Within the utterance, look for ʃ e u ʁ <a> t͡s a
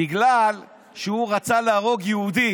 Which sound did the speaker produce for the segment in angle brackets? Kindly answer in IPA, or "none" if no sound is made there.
a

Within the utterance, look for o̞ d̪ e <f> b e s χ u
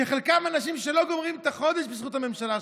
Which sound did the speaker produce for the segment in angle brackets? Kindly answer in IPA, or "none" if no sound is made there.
ʃ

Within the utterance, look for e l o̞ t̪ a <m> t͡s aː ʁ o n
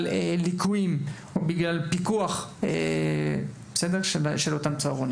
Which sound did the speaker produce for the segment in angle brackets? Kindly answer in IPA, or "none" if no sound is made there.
m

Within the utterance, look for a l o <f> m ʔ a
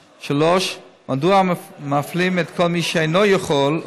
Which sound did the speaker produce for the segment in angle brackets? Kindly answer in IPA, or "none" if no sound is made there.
ʃ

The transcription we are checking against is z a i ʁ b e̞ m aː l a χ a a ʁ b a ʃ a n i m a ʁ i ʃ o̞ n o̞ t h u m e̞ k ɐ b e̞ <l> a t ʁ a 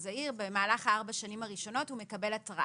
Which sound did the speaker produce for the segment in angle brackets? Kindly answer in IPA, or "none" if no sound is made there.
l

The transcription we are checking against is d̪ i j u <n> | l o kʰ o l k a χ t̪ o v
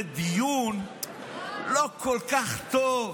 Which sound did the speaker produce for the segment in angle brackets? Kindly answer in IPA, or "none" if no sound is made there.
n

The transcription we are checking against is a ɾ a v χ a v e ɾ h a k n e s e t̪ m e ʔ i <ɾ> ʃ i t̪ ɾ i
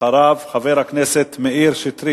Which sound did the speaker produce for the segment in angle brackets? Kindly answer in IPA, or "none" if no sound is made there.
ɾ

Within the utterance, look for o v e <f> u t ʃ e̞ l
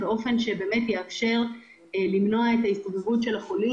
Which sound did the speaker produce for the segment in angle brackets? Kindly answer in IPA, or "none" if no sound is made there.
v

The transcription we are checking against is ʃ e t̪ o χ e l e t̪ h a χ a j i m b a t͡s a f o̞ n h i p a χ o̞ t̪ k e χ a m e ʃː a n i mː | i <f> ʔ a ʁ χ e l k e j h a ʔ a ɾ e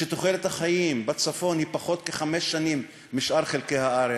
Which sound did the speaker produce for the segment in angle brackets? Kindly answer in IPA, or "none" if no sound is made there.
ʃ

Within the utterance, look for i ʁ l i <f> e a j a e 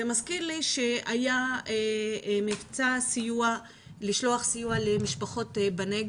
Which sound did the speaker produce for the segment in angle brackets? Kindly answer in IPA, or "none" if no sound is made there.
ʃ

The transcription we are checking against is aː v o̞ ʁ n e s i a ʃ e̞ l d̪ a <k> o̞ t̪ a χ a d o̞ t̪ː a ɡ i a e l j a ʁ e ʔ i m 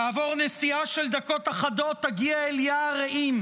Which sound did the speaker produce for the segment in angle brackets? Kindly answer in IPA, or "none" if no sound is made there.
k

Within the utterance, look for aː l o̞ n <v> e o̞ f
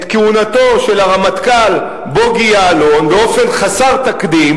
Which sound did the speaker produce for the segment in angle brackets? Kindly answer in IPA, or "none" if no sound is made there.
b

